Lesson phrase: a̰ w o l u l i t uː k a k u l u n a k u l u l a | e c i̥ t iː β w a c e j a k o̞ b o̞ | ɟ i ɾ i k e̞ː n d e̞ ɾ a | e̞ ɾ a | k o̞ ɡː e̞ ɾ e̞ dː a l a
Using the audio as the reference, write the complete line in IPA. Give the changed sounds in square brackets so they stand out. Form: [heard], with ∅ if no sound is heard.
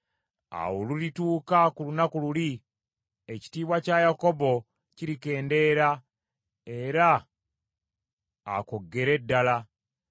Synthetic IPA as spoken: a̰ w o l u l i t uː k a k u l u n a k u l u l [i] | e c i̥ t iː β w a c [a] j a k o̞ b o̞ | [c] i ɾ i k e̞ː n d e̞ ɾ a | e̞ ɾ a | k o̞ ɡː e̞ ɾ e̞ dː a l a